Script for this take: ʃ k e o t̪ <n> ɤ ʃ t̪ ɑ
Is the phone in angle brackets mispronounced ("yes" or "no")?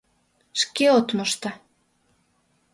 yes